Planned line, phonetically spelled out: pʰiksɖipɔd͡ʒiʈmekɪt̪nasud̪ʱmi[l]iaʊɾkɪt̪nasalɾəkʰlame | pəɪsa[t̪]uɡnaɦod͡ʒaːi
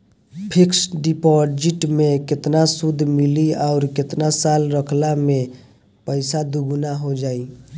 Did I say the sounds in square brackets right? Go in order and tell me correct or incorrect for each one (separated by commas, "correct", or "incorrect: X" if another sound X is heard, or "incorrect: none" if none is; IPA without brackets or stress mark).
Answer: correct, incorrect: d̪